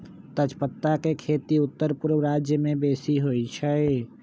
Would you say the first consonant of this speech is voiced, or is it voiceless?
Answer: voiceless